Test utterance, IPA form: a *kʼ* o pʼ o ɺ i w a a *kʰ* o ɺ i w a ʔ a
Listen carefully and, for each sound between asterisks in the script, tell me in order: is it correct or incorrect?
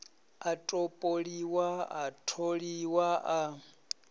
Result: incorrect, incorrect

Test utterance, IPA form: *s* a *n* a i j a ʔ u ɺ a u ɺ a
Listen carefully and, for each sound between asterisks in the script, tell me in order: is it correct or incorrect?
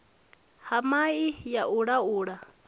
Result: incorrect, incorrect

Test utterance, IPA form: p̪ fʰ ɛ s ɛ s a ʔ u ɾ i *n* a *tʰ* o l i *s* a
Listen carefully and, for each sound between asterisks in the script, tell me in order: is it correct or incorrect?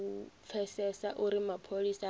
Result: incorrect, incorrect, correct

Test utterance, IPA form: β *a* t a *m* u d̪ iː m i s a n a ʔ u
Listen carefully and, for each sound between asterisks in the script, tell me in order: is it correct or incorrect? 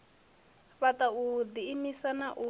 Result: correct, incorrect

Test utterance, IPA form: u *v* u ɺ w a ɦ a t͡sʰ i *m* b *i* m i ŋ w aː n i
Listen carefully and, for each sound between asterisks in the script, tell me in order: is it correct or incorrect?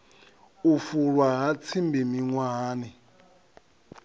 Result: incorrect, correct, correct

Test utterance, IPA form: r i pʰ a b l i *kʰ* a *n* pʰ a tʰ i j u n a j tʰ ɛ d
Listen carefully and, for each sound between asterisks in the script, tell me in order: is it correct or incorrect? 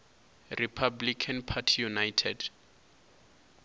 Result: correct, correct

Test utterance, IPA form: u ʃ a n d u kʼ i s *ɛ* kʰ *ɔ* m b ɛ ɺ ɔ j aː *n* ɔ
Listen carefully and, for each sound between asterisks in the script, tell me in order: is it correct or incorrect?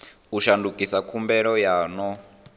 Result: incorrect, incorrect, correct

